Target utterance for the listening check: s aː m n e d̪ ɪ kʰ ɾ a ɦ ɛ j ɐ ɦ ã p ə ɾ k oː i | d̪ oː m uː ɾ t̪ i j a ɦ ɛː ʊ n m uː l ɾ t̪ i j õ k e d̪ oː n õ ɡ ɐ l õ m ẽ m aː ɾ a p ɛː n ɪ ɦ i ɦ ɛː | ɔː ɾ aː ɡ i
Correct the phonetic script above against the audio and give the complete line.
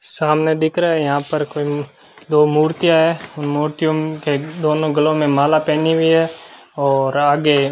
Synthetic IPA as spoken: s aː m n e d̪ ɪ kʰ ɾ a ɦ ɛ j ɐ ɦ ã p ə ɾ k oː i | d̪ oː m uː ɾ t̪ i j a ɦ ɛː ʊ n m uː ɾ t̪ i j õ k e d̪ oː n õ ɡ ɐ l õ m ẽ m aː l a p ɛː n i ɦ i ɦ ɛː | ɔː ɾ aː ɡ e